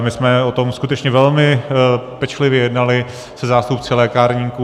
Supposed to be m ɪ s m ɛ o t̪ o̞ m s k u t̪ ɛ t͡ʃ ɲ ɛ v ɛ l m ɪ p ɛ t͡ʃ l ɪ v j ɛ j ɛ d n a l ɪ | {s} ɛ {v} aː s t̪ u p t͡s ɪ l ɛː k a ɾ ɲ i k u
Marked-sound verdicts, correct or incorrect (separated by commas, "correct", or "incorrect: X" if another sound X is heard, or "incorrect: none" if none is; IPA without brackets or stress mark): correct, incorrect: z